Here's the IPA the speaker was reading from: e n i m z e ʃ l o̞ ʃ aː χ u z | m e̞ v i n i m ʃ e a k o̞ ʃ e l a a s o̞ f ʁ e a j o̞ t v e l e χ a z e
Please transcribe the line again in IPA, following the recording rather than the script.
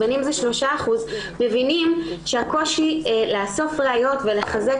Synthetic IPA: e n i m z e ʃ l o̞ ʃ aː χ u z | m e̞ v i n i m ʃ e a k o̞ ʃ i l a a s o̞ f ʁ e a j o̞ t v e l e χ a z e